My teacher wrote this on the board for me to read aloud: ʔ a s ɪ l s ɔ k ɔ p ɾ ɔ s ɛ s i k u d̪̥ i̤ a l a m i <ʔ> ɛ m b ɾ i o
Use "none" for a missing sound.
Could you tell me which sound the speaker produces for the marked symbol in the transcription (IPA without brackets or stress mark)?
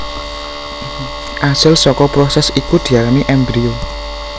ʔ